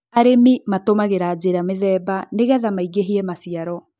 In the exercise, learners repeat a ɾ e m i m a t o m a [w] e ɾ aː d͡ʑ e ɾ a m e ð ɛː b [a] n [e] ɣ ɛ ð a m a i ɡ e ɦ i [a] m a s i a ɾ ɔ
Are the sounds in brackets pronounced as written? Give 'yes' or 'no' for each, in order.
no, yes, yes, no

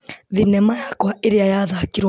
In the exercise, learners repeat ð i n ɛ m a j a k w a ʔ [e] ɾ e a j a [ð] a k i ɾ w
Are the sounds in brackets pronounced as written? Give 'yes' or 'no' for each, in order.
yes, yes

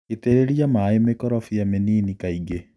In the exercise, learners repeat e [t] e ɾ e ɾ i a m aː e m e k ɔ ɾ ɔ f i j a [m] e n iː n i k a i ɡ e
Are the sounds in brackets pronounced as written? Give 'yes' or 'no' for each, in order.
yes, yes

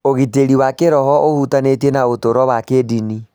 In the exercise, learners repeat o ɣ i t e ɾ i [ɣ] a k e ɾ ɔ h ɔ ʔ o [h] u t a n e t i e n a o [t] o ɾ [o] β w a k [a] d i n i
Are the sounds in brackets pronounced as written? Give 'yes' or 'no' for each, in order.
no, yes, yes, no, no

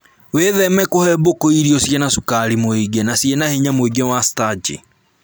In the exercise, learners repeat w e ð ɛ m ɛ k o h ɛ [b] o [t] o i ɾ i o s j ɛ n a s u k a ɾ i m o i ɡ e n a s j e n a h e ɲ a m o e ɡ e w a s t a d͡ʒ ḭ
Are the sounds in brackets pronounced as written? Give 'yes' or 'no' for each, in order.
yes, no

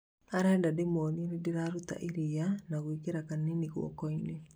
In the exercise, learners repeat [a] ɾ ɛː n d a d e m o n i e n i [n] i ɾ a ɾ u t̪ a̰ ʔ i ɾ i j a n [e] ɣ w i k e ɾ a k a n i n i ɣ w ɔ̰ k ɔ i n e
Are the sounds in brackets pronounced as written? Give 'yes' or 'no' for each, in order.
yes, no, no

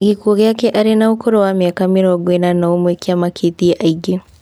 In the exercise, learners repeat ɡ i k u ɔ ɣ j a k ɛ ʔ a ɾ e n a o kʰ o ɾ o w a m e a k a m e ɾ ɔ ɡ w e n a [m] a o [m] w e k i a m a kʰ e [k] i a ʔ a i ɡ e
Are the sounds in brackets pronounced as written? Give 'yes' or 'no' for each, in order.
no, yes, no

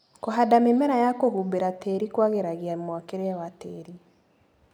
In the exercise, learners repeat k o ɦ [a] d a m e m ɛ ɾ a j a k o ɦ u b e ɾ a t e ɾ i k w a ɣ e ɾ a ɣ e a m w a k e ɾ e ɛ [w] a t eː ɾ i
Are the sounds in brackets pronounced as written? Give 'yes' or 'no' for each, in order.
yes, yes

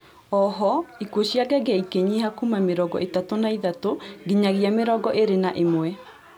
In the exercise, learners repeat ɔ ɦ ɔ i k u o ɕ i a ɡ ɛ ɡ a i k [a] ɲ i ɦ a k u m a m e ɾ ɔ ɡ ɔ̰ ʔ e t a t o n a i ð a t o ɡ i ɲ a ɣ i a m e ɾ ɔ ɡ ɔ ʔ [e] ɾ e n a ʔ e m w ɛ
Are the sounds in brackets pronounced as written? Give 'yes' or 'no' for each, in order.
no, yes

